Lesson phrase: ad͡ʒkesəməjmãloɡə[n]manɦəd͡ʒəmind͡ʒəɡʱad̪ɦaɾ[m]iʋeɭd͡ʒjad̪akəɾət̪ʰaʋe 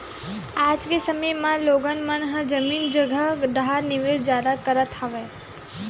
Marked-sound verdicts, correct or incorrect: correct, incorrect: n

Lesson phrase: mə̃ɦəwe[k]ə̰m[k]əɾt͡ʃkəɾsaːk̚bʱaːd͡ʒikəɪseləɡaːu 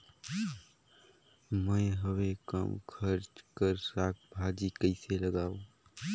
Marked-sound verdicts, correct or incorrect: correct, incorrect: kʰ

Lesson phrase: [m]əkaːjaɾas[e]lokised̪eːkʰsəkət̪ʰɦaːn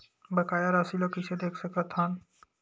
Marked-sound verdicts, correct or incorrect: incorrect: b, incorrect: i

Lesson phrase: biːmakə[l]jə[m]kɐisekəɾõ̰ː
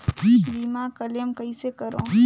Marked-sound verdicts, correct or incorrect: correct, correct

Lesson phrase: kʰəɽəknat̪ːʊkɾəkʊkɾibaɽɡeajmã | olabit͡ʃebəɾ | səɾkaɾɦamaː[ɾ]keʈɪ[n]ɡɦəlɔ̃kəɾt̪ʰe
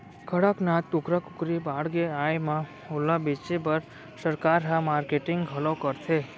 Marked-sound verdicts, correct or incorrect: correct, incorrect: ŋ

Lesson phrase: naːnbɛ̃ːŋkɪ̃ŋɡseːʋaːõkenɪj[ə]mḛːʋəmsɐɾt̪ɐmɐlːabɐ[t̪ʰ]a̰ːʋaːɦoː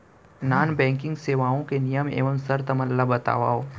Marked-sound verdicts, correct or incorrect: correct, incorrect: t̪

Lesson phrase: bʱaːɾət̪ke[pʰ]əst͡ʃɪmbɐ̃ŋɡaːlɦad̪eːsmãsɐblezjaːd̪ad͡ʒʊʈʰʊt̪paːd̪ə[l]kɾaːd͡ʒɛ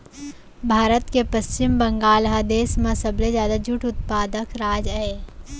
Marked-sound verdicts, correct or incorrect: incorrect: p, incorrect: none

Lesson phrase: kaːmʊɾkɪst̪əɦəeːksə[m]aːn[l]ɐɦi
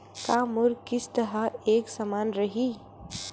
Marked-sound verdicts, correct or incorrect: correct, incorrect: ɾ

